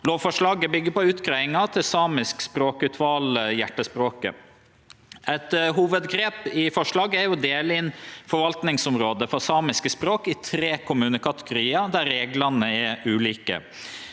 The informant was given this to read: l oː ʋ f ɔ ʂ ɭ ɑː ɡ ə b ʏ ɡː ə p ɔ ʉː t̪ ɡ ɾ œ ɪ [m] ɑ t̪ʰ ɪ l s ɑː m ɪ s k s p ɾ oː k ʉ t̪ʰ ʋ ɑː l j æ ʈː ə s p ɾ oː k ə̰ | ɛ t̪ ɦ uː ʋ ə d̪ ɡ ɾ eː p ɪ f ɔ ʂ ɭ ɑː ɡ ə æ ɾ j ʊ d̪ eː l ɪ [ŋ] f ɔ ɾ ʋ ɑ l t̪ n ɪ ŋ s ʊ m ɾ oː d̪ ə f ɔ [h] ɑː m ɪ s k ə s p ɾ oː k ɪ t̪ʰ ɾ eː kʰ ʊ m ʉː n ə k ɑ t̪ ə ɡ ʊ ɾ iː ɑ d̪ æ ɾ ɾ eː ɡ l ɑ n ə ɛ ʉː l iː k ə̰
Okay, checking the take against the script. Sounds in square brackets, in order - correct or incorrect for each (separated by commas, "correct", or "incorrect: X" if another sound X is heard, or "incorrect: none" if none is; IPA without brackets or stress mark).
incorrect: ŋ, incorrect: n, incorrect: s